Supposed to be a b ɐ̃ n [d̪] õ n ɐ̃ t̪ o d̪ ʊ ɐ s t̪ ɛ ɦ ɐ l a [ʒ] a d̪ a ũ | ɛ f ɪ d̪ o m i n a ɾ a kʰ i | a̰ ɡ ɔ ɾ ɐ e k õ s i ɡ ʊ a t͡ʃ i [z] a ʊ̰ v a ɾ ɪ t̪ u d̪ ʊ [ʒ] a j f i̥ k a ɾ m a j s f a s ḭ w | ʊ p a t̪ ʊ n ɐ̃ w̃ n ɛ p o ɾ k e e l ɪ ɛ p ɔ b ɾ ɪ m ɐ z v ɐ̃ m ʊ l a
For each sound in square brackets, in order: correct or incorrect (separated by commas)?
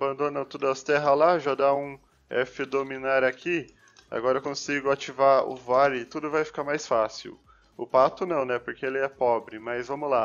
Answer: correct, correct, incorrect, incorrect